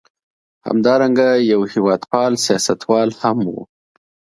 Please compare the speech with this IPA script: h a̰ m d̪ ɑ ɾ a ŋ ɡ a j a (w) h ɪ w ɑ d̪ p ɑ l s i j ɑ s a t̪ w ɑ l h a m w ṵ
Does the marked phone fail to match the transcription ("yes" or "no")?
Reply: no